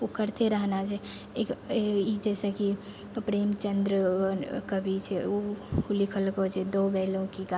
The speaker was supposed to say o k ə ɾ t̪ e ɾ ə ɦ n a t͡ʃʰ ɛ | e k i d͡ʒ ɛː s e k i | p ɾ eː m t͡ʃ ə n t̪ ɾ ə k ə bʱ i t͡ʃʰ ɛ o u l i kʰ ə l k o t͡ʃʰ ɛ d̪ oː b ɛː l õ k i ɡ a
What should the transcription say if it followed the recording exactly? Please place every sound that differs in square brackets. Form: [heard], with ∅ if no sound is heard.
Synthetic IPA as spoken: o k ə ɾ t̪ e ɾ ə ɦ n a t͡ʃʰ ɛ | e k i d͡ʒ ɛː s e k i | p ɾ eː m t͡ʃ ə n [d̪] ɾ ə k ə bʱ i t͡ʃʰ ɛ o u l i kʰ ə l k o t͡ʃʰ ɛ d̪ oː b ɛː l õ k i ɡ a